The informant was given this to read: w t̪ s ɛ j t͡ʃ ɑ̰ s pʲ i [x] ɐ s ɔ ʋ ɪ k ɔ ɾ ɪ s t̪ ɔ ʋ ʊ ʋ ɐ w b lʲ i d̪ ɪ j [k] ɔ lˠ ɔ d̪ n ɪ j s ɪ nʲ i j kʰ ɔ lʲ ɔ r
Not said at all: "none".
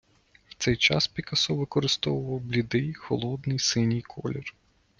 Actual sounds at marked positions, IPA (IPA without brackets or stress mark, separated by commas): k, x